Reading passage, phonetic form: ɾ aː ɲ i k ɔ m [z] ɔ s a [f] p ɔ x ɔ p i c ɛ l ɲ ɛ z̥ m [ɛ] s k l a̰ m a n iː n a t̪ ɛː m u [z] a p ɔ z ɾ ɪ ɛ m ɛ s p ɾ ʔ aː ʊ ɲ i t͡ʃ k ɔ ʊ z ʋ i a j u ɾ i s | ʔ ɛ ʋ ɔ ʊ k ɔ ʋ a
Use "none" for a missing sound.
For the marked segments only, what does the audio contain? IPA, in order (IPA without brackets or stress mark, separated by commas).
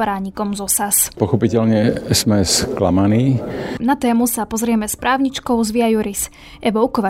z, s, ɛ, s